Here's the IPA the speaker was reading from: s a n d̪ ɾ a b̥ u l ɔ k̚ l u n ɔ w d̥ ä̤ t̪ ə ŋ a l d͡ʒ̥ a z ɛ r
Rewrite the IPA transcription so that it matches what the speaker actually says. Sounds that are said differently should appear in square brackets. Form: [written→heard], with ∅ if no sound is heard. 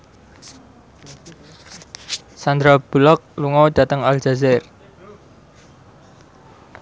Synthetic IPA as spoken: s a n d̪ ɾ a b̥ u l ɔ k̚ l u [n→ŋ] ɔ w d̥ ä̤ t̪ ə ŋ a l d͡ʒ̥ a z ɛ r